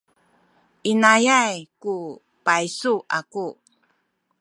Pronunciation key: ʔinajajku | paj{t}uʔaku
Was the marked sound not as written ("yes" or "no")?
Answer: yes